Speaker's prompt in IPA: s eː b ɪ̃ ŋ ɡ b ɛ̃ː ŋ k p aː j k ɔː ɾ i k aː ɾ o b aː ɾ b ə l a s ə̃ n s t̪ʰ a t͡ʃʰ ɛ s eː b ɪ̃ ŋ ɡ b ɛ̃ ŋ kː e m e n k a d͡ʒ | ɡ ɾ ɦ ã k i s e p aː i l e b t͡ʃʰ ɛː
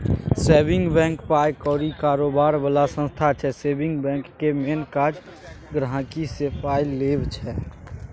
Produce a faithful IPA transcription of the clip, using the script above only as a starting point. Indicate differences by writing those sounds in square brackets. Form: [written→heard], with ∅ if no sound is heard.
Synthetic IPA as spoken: s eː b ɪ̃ ŋ ɡ b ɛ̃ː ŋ k p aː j k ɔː ɾ i k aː ɾ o b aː ɾ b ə l a s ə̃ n s t̪ʰ a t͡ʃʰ ɛ s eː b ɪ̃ ŋ ɡ b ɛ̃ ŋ kː e m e n k a d͡ʒ | ɡ ɾ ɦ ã k i s e p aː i l e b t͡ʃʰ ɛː

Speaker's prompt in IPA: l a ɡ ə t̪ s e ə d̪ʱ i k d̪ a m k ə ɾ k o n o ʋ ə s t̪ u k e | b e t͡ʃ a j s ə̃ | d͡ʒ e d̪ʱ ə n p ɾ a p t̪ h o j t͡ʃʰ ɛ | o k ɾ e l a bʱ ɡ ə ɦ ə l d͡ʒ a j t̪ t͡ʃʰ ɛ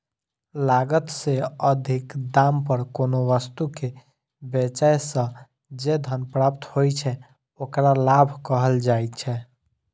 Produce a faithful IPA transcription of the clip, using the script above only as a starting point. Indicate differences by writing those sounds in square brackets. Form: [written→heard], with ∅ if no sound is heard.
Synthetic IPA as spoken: l a ɡ ə t̪ s e ə d̪ʱ i k d̪ a m [k→p] ə ɾ k o n o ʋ ə s t̪ u k e | b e t͡ʃ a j s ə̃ | d͡ʒ e d̪ʱ ə n p ɾ a p t̪ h o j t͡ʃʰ ɛ | o k ɾ [e→a] l a bʱ [ɡ→k] ə ɦ ə l d͡ʒ a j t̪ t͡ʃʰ ɛ

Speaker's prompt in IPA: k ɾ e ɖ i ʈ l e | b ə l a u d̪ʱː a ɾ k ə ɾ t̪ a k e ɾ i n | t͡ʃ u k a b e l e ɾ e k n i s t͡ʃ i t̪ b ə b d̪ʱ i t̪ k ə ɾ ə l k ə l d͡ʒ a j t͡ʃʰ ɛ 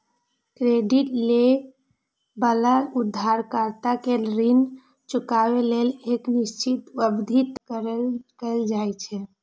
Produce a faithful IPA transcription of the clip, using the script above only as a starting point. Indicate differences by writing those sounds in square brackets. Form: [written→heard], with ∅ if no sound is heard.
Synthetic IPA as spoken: k ɾ e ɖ i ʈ l e | b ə l a u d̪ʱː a ɾ k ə ɾ t̪ a k e ɾ i n | t͡ʃ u k a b e l e [ɾ→l] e k n i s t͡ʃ i t̪ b ə b d̪ʱ i t̪ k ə ɾ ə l k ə l d͡ʒ a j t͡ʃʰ ɛ

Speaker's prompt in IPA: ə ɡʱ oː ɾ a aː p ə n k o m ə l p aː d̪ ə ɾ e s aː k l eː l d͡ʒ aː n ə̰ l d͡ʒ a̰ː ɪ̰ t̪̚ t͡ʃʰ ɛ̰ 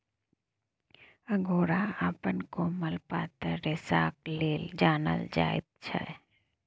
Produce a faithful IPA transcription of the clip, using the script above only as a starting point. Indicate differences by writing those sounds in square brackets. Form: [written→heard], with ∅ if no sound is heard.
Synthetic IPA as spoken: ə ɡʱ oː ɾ a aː p ə n k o m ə l p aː [d̪→t̪] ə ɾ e s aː k l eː l d͡ʒ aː n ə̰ l d͡ʒ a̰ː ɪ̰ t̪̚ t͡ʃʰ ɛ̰

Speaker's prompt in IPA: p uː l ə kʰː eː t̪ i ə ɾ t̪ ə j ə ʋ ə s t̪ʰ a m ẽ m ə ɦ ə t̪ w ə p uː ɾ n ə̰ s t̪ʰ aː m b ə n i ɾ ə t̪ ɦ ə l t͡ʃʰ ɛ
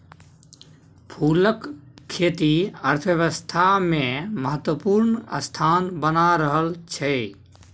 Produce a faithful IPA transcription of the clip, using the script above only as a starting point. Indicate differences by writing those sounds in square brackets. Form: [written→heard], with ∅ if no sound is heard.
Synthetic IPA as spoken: [p→pʰ] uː l ə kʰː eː t̪ i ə ɾ [t̪→t̪ʰ] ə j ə ʋ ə s t̪ʰ a m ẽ m ə ɦ ə t̪ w ə p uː ɾ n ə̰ s t̪ʰ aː [m→n] b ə n [i→a] ɾ ə [t̪→∅] ɦ ə l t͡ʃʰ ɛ

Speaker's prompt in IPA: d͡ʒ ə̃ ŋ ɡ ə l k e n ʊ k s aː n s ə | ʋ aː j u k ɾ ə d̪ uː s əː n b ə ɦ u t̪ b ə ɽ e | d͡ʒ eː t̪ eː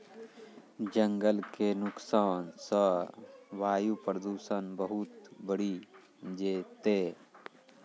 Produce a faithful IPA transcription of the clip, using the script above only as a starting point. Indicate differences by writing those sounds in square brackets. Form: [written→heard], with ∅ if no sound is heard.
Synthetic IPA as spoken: d͡ʒ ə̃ ŋ ɡ ə l k e n ʊ k s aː n s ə | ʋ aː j u [k→p] ɾ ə d̪ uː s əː n b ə ɦ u t̪ b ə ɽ [e→i] | d͡ʒ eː t̪ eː

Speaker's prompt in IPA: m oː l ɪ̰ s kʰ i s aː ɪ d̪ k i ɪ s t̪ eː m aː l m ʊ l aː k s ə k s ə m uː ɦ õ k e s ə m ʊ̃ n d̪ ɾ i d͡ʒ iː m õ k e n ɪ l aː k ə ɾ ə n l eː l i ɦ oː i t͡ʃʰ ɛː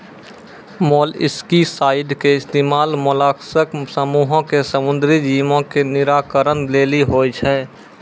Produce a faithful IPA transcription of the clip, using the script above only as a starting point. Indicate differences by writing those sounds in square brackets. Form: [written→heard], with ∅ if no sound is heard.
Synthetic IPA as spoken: m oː l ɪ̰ s [kʰ→k] i s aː ɪ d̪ k [i→e] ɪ s t̪ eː m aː l m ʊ l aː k s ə k s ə m uː ɦ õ k e s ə m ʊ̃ n d̪ ɾ i d͡ʒ iː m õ k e n ɪ [l→ɾ] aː k ə ɾ ə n l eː l i ɦ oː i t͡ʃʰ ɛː

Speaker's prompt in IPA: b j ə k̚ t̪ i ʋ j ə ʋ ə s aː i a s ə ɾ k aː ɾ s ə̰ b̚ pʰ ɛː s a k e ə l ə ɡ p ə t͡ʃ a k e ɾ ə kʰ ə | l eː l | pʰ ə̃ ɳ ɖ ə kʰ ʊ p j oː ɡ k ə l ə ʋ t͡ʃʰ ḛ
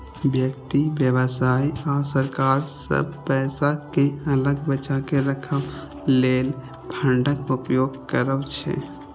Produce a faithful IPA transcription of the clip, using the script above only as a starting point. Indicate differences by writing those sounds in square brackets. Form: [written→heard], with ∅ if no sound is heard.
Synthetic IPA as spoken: b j ə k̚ t̪ i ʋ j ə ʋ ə s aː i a s ə ɾ k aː ɾ s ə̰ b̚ [pʰ→p] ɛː s a k e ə l ə ɡ [p→b] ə t͡ʃ a k e ɾ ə kʰ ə | l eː l | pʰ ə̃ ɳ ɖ ə [kʰ→k] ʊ p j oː ɡ k ə [l→ɾ] ə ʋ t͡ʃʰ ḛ

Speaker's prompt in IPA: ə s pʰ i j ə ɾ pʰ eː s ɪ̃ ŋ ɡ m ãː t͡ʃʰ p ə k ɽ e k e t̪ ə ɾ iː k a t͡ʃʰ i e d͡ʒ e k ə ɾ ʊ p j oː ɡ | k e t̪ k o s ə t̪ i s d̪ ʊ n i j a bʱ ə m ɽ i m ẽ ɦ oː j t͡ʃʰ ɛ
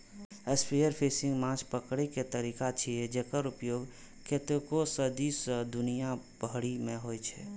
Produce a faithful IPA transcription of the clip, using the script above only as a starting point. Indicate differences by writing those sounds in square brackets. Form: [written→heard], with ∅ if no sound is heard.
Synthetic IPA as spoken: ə s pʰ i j ə ɾ pʰ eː s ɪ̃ ŋ ɡ m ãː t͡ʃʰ p ə k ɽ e k e t̪ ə ɾ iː k a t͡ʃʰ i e d͡ʒ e k ə ɾ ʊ p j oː ɡ | k e t̪ k o s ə [t̪→d̪] i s d̪ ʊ n i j a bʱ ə [m→∅] ɽ i m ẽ ɦ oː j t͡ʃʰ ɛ

